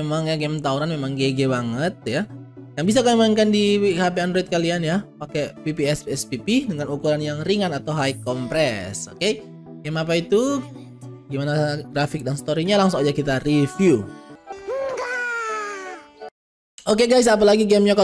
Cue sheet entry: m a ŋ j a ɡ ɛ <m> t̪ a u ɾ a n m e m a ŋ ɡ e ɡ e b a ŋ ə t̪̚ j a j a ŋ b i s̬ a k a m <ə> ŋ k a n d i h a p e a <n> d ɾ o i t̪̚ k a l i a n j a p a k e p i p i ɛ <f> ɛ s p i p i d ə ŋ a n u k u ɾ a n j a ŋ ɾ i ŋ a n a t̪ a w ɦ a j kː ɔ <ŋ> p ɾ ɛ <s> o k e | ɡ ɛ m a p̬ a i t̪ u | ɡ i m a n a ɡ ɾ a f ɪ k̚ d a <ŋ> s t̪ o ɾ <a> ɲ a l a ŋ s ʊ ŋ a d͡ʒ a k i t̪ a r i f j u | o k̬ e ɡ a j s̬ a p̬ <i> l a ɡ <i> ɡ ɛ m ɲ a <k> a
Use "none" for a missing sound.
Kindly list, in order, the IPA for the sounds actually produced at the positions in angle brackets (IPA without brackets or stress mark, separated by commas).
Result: m, a, n, s, m, s, n, i, a, i, k